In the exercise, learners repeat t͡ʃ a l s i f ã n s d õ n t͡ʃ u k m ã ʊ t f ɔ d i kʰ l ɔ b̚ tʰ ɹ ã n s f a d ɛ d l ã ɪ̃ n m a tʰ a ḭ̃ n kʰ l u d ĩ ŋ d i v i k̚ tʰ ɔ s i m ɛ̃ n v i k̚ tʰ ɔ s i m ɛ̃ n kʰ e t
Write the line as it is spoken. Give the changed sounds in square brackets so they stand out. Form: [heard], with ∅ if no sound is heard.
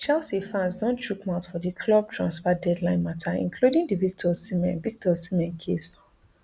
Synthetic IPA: t͡ʃ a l s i f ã n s d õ n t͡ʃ u k m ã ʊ t f ɔ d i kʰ l ɔ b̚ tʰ ɹ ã n s f a d ɛ d l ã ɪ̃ n m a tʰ a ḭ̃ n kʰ l u d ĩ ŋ d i v i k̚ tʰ ɔ s i m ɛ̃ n v i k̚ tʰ ɔ s i m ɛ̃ n kʰ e [s]

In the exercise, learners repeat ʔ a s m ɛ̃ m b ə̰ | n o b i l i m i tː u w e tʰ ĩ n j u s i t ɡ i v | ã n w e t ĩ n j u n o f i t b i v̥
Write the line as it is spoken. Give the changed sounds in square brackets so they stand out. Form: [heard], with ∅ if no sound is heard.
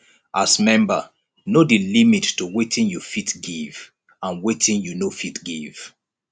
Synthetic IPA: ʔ a s m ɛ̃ m b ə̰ | n o [d] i l i m i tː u w e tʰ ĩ n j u [f] i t ɡ i v | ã n w e t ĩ n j u n o f i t [ɡ] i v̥

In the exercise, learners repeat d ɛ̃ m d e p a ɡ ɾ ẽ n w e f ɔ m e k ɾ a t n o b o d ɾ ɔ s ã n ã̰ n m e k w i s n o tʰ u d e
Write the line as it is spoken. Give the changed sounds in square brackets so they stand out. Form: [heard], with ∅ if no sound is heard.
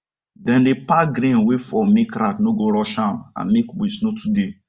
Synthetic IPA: d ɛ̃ [n] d e p a ɡ ɾ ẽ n w e f ɔ m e k ɾ a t n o [ɡ] o [∅] ɾ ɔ [ʃ] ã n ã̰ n m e k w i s n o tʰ u d e

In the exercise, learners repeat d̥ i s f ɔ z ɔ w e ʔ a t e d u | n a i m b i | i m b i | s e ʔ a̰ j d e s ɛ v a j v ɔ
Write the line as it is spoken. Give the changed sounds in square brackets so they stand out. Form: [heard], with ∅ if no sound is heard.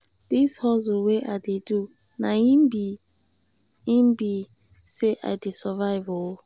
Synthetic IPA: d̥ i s [h] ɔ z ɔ w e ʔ a [d] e d u | n a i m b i | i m b i | s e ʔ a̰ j d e s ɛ v a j v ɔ

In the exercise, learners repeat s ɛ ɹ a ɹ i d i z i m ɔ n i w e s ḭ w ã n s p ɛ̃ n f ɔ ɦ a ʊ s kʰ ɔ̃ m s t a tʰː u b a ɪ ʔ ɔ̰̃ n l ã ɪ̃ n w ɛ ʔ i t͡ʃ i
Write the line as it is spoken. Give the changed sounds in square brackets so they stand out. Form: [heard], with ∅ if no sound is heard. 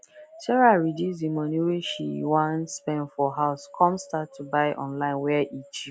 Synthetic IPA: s ɛ ɹ a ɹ i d i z i m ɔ n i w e [ʃ] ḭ w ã n s p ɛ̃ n f ɔ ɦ a ʊ s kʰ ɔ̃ m s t a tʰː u b a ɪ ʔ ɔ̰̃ n l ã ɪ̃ n w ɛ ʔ i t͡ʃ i

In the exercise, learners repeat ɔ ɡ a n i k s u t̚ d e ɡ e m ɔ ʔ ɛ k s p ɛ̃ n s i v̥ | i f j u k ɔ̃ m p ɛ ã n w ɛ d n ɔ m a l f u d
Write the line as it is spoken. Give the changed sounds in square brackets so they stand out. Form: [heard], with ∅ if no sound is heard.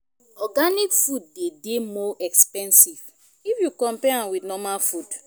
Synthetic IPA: ɔ ɡ a n i k [f] u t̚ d e [d] e m ɔ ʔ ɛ k s p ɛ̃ n s i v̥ | i f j u k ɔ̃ m p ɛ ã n w [i] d n ɔ m a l f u d

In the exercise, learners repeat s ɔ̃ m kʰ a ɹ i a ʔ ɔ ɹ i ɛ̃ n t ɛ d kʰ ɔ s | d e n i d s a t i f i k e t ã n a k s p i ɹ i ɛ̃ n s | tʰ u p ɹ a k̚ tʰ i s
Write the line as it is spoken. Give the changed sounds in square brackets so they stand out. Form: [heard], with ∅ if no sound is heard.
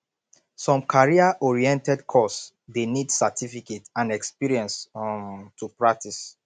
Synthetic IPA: s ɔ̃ m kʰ a ɹ i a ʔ ɔ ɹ i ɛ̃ n t ɛ d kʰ ɔ s | d e n i d s a t i f i k e t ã n [ɛ] k s p i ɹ i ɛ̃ n s | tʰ u p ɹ a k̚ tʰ i s

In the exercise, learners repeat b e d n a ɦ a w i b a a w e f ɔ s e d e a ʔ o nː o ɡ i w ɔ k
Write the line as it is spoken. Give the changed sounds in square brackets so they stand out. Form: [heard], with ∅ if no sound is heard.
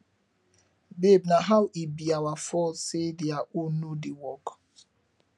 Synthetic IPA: b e [b] n a ɦ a w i b [i] a w [a] f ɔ s e d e a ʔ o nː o [d] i w ɔ k

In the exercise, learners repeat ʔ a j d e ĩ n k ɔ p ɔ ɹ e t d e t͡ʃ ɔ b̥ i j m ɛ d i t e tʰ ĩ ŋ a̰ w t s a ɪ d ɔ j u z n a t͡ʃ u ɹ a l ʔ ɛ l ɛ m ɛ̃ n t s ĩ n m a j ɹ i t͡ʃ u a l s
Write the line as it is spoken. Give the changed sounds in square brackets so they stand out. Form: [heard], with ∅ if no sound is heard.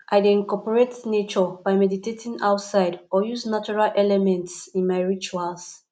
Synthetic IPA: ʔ a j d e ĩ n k ɔ p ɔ ɹ e t [n] e t͡ʃ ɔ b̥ [a] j m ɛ d i t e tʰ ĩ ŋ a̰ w t s a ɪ d ɔ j u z n a t͡ʃ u ɹ a l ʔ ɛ l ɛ m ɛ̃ n t s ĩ n m a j ɹ i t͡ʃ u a l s

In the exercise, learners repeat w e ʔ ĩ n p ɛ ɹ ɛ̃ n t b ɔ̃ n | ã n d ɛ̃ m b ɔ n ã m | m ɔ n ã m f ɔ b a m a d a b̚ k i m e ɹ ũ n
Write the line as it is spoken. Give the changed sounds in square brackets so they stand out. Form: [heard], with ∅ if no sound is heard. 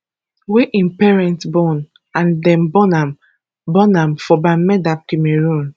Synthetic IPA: w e ʔ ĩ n p ɛ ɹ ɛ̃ n t b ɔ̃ n | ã n d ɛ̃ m b ɔ n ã m | [b] ɔ n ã m f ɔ b a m [ɛ] d a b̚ k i m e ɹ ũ n

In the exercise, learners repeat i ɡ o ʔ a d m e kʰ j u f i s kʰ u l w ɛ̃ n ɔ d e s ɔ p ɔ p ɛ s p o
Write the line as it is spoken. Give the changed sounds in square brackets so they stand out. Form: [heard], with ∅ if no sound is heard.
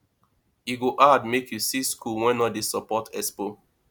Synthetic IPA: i ɡ o ʔ a d m e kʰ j u [s] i s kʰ u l w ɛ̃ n ɔ d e s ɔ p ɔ [t] ɛ s p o

